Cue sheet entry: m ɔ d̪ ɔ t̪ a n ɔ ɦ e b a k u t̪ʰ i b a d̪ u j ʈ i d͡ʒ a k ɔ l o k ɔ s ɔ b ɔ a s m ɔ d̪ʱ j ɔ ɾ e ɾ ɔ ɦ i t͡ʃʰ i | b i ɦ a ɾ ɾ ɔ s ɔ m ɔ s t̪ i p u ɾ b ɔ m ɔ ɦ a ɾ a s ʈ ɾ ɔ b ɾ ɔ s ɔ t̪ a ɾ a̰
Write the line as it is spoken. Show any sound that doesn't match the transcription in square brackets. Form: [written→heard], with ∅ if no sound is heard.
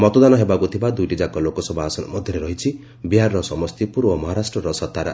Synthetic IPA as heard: m ɔ [d̪→t̪] ɔ [t̪→d̪] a n ɔ ɦ e b a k u t̪ʰ i b a d̪ u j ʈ i d͡ʒ a k ɔ l o k ɔ s ɔ b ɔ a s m ɔ d̪ʱ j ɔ ɾ e ɾ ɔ ɦ i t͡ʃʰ i | b i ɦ a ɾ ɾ ɔ s ɔ m ɔ s t̪ i p u ɾ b ɔ m ɔ ɦ a ɾ a s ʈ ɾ ɔ [b→∅] ɾ ɔ s ɔ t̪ a ɾ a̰